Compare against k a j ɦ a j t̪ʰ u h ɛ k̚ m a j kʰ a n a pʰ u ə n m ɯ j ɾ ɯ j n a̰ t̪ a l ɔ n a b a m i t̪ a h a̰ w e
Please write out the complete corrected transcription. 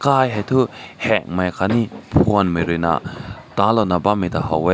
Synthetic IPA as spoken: k a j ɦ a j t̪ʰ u h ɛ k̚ m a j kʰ a n i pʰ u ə n m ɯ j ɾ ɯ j n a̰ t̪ a l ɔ n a b a m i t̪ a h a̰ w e